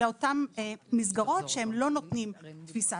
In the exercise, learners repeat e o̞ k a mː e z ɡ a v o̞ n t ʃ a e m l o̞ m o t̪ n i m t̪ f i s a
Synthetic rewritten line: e o̞ t a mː i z ɡ a ʁ o̞ t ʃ e e m l o̞ n o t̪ n i m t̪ f i s a